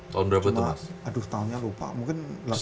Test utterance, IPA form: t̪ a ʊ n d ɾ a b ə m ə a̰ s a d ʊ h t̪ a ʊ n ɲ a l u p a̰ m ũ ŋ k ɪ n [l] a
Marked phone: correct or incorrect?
correct